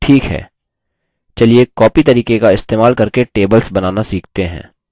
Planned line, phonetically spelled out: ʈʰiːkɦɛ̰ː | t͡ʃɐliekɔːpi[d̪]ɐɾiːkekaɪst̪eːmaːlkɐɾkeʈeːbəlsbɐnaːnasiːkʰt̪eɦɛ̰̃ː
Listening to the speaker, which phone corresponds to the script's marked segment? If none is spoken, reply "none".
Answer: t̪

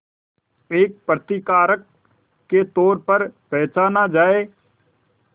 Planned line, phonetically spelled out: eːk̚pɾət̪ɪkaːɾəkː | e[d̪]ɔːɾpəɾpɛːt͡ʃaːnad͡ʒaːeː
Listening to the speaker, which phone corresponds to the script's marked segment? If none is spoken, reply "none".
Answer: t̪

